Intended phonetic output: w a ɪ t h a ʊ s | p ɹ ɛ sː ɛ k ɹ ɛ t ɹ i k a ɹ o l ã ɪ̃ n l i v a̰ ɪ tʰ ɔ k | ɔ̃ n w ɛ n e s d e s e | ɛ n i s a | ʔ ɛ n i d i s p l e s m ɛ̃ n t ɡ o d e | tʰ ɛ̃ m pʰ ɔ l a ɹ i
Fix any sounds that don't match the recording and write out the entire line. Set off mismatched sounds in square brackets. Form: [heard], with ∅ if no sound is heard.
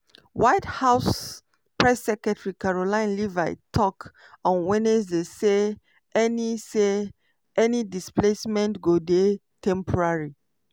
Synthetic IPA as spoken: w a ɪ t h a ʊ s | p ɹ ɛ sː ɛ k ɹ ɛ t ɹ i k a ɹ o l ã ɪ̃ n l i v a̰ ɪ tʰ ɔ k | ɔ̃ n w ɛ n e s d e s e | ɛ n i s [e] | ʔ ɛ n i d i s p l e s m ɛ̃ n t ɡ o d e | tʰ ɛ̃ m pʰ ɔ [ɹ] a ɹ i